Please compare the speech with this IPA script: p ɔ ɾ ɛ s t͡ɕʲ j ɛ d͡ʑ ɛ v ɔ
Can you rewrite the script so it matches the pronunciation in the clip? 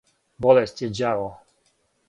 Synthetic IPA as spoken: b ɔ l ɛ s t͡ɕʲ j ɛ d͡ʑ a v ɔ